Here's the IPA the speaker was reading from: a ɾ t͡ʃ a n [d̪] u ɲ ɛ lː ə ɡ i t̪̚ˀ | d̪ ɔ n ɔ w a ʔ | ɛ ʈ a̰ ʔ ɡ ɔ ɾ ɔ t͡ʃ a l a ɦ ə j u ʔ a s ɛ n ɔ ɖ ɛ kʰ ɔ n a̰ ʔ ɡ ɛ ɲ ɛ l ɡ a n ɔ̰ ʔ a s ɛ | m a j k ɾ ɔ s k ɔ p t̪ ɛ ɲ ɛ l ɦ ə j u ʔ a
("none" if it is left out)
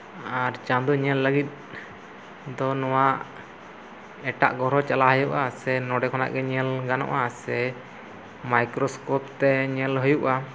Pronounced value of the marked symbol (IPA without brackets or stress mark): d̪